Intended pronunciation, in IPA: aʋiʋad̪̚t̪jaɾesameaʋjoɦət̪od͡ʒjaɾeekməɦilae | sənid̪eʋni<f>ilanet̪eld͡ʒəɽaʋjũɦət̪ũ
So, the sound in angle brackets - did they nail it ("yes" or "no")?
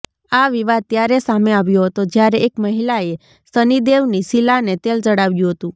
no